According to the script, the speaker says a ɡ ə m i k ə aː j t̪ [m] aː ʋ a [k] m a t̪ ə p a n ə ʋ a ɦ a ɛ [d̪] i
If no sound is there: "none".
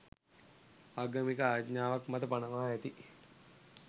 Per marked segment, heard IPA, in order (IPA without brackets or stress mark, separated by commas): ɲ, k, t̪